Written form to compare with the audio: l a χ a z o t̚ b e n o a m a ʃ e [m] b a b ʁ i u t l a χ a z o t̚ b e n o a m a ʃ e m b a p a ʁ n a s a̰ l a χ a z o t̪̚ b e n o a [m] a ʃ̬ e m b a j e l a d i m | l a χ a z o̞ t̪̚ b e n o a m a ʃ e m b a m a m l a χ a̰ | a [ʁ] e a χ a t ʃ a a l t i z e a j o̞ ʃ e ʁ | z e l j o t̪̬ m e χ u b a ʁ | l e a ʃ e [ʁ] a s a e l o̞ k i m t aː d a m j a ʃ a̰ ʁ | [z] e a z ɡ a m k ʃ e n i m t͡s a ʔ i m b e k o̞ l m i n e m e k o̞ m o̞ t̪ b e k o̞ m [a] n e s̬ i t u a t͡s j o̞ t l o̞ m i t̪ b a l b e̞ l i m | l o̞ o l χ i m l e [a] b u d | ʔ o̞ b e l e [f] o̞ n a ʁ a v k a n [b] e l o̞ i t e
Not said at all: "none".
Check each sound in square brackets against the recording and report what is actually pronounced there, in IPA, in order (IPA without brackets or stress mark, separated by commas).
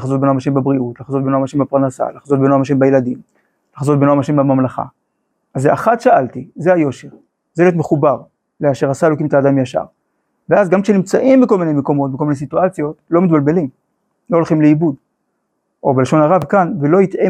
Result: m, m, z, ʁ, v, i, i, ʃ, v